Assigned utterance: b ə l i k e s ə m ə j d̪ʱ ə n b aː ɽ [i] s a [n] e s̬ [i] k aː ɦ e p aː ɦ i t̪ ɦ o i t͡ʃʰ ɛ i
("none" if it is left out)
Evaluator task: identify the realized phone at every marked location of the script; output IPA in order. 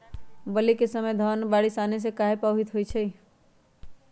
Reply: i, n, e

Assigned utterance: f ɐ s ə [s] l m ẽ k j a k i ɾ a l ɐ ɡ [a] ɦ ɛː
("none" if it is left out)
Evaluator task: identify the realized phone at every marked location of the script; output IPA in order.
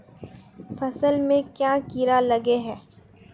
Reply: none, e

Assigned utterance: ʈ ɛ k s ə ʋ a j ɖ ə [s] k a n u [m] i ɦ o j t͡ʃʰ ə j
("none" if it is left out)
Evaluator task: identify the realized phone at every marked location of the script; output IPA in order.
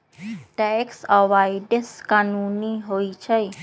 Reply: s, n

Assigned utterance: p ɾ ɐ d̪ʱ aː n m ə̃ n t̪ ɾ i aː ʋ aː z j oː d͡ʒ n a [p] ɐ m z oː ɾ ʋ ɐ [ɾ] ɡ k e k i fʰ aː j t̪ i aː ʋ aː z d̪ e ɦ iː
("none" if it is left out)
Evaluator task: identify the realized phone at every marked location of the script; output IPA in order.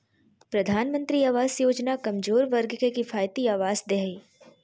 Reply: k, ɾ

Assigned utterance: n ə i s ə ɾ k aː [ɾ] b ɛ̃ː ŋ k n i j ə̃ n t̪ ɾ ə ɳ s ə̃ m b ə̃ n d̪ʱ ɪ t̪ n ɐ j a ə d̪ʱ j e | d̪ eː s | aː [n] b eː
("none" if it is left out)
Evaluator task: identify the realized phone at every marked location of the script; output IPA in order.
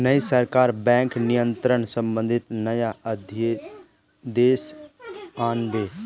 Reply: ɾ, n

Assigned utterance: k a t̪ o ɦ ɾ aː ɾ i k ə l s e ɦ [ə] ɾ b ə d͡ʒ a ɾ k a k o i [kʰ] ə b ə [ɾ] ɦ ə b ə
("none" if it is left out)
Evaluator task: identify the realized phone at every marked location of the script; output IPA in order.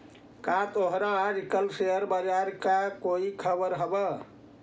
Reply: ə, kʰ, ɾ

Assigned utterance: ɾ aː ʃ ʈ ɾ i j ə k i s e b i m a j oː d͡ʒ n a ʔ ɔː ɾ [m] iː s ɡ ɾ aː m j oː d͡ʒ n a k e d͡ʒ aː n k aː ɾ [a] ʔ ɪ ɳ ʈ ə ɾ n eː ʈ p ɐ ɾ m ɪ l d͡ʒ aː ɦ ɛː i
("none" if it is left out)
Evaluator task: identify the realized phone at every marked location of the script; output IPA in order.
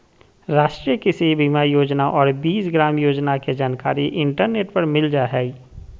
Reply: b, i

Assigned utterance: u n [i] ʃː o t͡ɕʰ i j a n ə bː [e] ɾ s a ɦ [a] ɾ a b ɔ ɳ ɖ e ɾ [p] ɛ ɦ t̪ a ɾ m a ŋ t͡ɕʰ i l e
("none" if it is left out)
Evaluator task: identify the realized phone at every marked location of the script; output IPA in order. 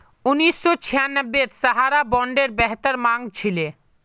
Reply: i, e, a, b

